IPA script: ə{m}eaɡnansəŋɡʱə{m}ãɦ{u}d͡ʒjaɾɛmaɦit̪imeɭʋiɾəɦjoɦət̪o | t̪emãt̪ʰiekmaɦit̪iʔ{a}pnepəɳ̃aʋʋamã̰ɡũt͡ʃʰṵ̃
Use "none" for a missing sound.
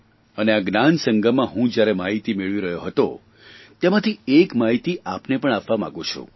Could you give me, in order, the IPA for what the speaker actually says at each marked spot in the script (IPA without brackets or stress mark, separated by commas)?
n, m, ũ, a